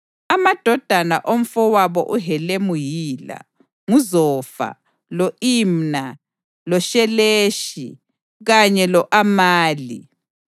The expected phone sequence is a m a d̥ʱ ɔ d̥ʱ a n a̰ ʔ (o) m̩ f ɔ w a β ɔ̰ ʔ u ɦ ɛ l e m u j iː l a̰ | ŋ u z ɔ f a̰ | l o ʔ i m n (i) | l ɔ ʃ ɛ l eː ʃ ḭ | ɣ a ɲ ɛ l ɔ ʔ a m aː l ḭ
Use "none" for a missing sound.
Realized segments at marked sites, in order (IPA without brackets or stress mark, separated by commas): o, a